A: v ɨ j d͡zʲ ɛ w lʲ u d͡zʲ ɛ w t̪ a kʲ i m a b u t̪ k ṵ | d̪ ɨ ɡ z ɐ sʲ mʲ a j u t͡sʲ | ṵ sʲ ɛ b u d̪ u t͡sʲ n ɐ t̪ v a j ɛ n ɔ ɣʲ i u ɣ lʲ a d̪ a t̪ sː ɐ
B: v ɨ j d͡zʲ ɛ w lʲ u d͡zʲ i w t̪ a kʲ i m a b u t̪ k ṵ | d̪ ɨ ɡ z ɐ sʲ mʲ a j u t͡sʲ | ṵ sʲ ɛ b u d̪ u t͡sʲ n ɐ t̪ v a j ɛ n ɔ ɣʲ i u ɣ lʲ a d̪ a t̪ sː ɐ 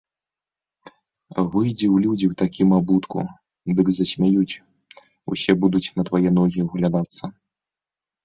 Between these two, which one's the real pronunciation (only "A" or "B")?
B